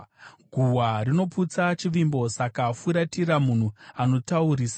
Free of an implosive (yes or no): yes